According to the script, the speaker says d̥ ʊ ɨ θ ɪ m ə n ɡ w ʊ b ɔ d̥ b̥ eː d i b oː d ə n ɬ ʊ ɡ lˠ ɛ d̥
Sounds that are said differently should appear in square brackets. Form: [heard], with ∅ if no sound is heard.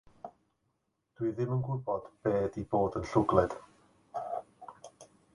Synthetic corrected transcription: d̥ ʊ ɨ [ð] ɪ m ə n ɡ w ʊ b ɔ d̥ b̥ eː d i b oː d ə n ɬ ʊ ɡ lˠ ɛ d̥